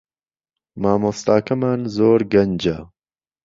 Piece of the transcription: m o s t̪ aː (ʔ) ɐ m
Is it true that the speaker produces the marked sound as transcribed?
no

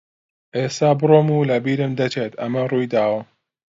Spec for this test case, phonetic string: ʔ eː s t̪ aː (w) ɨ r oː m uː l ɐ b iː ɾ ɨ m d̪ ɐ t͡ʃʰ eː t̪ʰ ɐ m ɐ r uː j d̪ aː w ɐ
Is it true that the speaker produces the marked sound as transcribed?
no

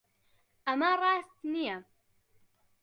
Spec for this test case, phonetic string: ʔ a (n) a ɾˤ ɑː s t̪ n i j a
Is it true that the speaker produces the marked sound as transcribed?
no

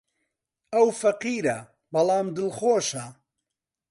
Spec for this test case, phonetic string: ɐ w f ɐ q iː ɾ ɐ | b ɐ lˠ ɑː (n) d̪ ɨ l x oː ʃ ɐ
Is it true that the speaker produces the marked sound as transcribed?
no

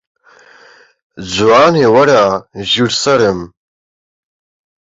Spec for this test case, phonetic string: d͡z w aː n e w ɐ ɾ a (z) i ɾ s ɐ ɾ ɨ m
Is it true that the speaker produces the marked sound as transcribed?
no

